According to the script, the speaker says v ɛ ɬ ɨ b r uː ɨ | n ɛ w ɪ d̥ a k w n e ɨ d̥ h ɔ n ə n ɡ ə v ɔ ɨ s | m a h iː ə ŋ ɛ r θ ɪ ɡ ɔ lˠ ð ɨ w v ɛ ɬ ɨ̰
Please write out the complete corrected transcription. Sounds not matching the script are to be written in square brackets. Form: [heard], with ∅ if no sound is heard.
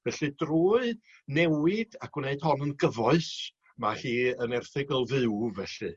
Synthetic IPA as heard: v ɛ ɬ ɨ [d] r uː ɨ | n ɛ w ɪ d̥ a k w n e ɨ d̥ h ɔ n ə n ɡ ə v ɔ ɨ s | m a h iː ə [n] ɛ r θ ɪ ɡ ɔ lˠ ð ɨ w v ɛ ɬ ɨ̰

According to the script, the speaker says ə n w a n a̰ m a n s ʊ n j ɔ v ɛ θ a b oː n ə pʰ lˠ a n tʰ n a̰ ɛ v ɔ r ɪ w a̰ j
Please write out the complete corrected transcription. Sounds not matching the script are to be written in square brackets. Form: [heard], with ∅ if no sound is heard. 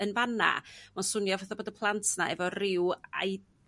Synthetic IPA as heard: ə n [v] a n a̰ m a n s ʊ n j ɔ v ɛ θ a b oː [d] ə pʰ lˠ a n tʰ n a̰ ɛ v ɔ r ɪ w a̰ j

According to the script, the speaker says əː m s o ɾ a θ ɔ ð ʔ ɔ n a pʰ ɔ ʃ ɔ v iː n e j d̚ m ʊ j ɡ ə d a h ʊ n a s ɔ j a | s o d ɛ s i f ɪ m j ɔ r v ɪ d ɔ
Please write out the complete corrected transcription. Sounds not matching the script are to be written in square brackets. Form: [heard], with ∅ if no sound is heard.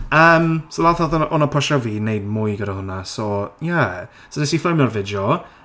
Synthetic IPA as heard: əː m s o [l] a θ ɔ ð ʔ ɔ n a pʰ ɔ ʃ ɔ v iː n e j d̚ m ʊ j ɡ ə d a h ʊ n a s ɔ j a | s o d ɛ s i f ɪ m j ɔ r v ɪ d ɔ

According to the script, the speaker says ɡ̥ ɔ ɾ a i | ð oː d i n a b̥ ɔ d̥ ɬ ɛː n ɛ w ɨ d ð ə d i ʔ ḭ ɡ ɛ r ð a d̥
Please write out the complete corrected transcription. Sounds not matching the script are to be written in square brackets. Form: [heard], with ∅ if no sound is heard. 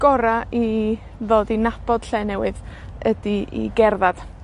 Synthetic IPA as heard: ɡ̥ ɔ ɾ a i | ð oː d i n a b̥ ɔ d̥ ɬ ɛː n ɛ w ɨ [∅] ð ə d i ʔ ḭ ɡ ɛ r ð a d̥

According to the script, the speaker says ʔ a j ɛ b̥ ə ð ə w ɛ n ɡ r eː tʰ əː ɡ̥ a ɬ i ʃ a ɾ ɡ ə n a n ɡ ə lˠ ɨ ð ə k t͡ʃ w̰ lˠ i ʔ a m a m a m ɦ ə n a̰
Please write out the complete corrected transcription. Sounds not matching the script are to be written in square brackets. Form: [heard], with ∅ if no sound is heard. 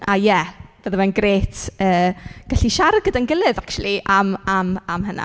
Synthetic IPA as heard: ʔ a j ɛ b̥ ə ð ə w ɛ n ɡ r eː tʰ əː ɡ̥ a ɬ i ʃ a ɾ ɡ ə [d] a n ɡ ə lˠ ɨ ð [a] k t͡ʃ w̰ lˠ i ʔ a m a m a m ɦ ə n a̰

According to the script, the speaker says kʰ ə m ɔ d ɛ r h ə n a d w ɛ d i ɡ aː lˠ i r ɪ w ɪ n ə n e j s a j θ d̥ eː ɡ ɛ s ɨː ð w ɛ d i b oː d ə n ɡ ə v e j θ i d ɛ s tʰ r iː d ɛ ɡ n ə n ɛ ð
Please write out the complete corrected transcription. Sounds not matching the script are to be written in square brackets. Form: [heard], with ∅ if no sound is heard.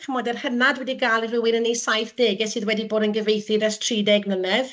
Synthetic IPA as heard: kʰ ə m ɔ d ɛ r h ə n a d w ɛ d i ɡ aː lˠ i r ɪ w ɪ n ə n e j s a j θ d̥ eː ɡ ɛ s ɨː ð w ɛ d i b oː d ə n ɡ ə v e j θ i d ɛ s tʰ r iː d ɛ ɡ n ə n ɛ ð

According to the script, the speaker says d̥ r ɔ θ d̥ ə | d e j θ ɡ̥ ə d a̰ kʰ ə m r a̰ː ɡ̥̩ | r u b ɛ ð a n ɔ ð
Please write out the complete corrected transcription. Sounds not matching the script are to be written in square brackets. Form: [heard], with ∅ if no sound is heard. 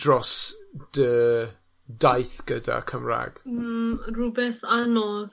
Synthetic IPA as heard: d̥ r ɔ [s] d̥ ə | d [a] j θ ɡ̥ ə d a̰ kʰ ə m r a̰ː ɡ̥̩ | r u b ɛ [θ] a n ɔ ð

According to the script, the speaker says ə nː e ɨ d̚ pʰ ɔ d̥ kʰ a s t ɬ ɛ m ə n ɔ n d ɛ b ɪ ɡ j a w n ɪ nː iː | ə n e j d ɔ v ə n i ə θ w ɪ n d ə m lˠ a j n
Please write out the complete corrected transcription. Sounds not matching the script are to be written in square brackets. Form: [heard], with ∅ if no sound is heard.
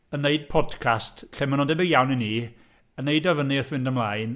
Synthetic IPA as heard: ə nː e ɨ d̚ pʰ ɔ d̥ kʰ a s t ɬ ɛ m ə n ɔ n d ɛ b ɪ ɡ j a w n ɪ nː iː | ə n e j d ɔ v ə n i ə θ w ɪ n d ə m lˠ a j n

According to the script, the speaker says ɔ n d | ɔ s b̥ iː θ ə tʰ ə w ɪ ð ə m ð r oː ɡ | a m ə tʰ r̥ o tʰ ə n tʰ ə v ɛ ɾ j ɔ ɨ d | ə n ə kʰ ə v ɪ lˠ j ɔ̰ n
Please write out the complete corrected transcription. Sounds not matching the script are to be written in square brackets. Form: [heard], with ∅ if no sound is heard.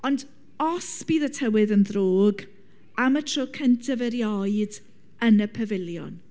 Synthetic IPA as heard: ɔ n d | ɔ s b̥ iː [ð] ə tʰ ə w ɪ ð ə [n] ð r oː ɡ | a m ə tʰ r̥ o [kʰ] ə n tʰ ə v ɛ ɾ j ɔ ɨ d | ə n ə [pʰ] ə v ɪ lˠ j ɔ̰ n

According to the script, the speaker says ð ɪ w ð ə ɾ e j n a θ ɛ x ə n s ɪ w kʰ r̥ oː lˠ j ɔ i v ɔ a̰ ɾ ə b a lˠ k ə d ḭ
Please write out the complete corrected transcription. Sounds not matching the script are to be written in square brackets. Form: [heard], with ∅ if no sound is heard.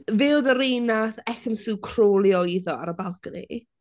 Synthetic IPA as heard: [v] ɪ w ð ə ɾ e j n a θ ɛ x ə n s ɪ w kʰ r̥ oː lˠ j ɔ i [ð] ɔ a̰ ɾ ə b a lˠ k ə [n] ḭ

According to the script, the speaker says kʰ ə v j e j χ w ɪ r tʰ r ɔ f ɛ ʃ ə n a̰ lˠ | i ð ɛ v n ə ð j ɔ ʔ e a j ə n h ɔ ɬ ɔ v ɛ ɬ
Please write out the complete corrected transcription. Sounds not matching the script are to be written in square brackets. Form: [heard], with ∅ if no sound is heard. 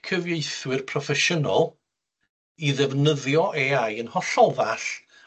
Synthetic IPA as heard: kʰ ə v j e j [θ] w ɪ r [pʰ] r ɔ f ɛ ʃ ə n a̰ lˠ | i ð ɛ v n ə ð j ɔ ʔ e a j ə n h ɔ ɬ ɔ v [a] ɬ

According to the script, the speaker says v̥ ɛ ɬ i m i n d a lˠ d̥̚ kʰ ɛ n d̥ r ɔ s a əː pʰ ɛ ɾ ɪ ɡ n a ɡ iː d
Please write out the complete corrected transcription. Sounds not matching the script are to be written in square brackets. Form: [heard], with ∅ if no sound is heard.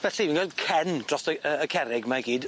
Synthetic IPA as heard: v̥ ɛ ɬ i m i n [ɡ] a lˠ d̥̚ kʰ ɛ n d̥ r ɔ s [ə] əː [kʰ] ɛ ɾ ɪ ɡ [m] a ɡ iː d

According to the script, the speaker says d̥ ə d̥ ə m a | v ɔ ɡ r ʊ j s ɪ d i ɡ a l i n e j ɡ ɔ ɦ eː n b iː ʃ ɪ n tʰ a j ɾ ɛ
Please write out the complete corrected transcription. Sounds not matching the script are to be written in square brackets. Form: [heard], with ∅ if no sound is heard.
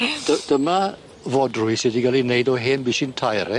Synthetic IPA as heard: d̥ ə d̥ ə m a | v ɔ [d] r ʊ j s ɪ d i ɡ a l i n e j [d] ɔ ɦ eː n b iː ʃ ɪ n tʰ a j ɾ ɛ

